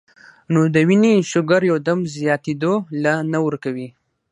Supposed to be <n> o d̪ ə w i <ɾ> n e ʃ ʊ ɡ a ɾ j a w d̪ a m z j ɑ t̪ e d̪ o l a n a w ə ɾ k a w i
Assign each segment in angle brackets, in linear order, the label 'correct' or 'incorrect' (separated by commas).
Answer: correct, incorrect